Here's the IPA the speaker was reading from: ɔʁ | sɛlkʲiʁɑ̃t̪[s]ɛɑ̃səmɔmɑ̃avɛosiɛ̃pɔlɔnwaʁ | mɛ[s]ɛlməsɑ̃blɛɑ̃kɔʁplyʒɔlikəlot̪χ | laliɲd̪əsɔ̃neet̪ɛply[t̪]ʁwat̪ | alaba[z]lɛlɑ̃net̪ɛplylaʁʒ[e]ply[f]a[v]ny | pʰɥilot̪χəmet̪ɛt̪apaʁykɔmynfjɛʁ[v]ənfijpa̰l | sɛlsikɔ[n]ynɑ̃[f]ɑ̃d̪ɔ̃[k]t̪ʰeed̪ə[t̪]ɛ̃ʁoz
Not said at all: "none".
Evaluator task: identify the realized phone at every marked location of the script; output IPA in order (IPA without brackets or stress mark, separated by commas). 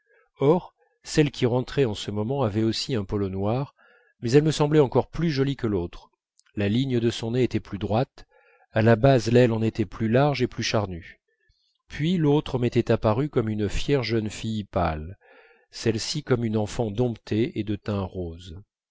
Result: χ, z, d̪, z, e, ʃ, ʁ, ʒ, m, f, p, t̪